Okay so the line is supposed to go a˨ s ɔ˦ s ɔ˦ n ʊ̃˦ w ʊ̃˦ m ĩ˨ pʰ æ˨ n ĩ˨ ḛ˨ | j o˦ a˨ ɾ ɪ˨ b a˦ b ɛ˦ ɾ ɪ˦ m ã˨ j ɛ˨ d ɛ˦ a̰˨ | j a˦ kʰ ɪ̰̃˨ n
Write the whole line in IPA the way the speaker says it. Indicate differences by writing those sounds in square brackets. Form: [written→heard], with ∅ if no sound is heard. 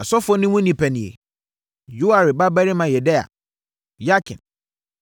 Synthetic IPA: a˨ s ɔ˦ [s→f] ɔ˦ n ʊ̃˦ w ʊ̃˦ [m→n] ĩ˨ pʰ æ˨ n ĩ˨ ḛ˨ | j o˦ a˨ ɾ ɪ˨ b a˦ b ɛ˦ ɾ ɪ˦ m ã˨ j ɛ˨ d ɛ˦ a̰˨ | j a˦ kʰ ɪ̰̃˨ n

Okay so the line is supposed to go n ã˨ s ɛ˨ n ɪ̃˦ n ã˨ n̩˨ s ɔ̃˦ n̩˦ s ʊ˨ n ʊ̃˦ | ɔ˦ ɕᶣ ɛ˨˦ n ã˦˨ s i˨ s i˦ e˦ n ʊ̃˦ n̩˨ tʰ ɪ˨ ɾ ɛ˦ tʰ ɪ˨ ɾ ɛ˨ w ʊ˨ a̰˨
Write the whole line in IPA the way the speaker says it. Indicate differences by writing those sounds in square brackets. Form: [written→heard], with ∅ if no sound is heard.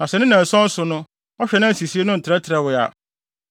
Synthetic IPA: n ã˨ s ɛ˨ n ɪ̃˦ n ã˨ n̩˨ s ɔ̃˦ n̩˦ s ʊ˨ n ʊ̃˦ | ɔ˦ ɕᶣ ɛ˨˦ n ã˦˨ s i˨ s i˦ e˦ n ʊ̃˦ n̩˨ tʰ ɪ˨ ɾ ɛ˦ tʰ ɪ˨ ɾ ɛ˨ w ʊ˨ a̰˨

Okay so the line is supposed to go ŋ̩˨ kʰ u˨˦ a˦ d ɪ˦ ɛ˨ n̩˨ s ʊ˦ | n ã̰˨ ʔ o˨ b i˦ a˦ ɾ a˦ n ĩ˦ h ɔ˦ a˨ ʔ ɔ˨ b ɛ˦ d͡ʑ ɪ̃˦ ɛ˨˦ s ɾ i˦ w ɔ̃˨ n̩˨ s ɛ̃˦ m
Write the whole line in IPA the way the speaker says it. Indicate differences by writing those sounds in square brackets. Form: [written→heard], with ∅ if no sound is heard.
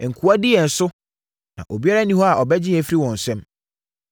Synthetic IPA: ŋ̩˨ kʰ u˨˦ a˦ d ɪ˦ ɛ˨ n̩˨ s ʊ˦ | n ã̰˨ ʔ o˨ b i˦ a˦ ɾ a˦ n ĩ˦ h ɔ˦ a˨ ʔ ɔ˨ b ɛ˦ d͡ʑ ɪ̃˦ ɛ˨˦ [s→f] ɾ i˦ w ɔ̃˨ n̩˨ s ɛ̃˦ m

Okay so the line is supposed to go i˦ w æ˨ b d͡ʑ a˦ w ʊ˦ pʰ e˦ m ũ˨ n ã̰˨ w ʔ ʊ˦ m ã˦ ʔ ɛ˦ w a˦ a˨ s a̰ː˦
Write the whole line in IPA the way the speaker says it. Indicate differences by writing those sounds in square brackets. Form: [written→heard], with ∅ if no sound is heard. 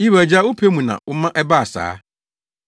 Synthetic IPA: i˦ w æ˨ [b→∅] d͡ʑ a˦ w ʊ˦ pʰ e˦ m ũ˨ n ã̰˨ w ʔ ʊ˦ m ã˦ ʔ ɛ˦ [w→b] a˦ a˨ s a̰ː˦

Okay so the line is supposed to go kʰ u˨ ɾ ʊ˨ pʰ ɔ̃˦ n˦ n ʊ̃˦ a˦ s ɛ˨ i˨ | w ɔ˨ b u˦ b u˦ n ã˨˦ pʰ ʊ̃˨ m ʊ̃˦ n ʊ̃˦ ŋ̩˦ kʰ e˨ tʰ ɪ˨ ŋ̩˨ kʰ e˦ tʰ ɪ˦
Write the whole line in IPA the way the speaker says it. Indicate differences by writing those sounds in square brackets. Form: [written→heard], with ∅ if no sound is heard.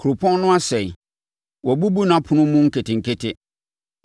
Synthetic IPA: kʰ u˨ ɾ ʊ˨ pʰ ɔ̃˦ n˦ n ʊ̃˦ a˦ s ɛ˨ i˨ | w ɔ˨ b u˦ b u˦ n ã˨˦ pʰ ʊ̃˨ [m→n] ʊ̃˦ [n→m] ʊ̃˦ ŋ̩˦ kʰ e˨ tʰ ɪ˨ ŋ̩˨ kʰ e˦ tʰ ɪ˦

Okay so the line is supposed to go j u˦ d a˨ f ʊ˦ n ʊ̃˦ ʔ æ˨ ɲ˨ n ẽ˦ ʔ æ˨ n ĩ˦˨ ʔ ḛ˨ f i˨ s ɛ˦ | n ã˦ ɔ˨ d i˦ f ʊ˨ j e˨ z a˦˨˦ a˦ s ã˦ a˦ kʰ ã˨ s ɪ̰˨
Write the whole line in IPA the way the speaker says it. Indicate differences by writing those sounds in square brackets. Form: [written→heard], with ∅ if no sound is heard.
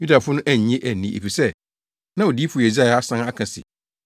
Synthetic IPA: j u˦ d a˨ f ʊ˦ n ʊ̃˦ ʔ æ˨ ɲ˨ [n→ɲ] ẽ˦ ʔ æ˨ n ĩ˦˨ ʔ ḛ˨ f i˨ s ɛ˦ | n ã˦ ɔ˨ d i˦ f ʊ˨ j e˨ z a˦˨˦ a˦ s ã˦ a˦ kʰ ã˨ s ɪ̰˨

